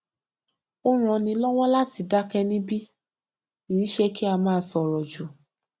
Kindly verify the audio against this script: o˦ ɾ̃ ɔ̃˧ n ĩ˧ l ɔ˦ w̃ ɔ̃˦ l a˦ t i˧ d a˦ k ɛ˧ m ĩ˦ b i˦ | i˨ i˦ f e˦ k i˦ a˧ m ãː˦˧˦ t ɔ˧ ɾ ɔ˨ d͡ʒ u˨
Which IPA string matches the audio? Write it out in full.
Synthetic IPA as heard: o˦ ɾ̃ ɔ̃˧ n ĩ˧ l ɔ˦ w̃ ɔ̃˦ l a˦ t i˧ d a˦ k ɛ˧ n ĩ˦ b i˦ | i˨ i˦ ʃ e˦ k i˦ a˧ m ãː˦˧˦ s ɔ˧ ɾ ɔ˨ d͡ʒ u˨